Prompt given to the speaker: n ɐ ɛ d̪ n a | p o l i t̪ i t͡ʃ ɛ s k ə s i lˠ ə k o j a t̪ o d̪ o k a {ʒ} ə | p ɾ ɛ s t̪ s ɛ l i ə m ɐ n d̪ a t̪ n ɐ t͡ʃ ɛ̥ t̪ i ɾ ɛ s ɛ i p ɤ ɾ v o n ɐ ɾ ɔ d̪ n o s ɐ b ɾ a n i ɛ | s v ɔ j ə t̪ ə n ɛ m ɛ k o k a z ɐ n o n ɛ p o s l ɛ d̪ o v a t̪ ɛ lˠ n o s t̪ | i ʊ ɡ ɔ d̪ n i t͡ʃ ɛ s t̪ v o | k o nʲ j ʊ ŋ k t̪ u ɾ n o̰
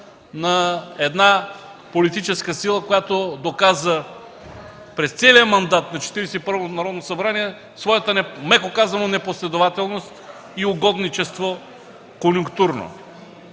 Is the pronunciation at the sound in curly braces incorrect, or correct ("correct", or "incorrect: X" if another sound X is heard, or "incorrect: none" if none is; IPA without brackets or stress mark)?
incorrect: z